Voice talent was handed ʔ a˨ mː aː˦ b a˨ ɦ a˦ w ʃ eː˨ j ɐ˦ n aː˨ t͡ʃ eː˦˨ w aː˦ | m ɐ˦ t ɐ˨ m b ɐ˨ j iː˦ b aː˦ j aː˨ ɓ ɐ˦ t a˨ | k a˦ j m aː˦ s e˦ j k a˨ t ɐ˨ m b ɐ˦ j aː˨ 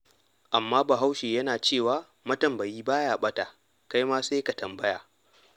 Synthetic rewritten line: ʔ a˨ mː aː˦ b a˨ ɦ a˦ w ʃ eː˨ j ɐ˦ n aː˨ t͡ʃ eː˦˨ w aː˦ | m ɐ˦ t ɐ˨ m b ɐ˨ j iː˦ b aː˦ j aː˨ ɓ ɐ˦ t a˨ | k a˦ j m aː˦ s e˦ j k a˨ t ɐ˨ m b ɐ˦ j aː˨